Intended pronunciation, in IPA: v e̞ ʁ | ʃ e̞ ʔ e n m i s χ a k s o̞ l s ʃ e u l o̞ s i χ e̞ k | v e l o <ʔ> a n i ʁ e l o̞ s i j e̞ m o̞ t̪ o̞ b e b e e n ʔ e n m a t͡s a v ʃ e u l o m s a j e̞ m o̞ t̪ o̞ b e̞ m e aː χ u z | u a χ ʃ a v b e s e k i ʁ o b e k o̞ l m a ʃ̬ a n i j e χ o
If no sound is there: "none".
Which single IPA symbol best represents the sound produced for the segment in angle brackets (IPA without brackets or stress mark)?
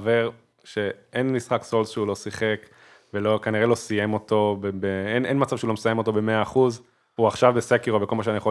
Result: k